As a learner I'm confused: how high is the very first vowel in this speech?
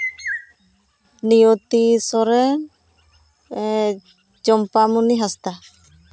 high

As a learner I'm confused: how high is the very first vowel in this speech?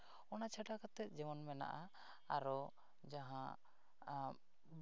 mid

